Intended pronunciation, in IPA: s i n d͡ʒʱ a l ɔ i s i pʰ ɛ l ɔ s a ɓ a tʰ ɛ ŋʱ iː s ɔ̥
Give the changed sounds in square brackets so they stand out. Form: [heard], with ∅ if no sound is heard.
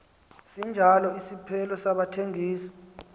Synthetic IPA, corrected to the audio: s i n d͡ʒʱ a l ɔ i s i pʰ ɛ l ɔ s a ɓ a tʰ [e] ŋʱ iː s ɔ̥